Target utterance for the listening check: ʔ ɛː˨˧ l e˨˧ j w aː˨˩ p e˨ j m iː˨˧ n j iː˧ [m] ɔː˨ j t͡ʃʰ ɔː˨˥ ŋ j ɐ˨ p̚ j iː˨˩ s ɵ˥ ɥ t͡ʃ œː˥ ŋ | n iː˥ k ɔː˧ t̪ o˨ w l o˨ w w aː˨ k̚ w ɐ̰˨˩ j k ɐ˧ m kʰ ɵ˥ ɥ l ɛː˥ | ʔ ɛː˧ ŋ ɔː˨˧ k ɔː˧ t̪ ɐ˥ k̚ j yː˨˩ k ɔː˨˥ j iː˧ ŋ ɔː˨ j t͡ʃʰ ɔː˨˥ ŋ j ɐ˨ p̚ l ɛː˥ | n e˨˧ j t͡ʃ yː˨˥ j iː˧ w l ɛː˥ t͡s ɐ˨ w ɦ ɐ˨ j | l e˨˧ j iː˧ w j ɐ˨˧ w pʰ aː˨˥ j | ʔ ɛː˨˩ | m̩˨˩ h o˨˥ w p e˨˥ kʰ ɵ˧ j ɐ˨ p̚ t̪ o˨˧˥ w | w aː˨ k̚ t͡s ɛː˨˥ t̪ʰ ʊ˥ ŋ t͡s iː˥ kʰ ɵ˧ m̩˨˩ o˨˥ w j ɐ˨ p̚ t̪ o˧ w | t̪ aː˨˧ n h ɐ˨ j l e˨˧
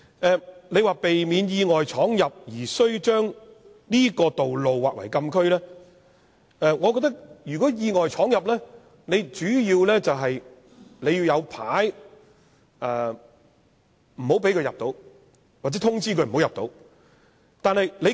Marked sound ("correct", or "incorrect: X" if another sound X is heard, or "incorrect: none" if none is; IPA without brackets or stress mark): incorrect: ŋ